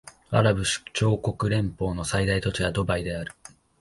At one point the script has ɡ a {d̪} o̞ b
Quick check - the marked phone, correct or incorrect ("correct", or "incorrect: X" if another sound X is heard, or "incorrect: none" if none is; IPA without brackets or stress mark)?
correct